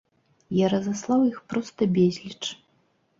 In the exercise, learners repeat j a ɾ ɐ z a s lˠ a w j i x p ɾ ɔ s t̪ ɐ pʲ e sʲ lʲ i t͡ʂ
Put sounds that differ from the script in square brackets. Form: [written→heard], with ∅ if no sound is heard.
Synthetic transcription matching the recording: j a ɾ ɐ z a s lˠ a w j i x p ɾ ɔ s t̪ ɐ [pʲ→bʲ] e [sʲ→zʲ] lʲ i t͡ʂ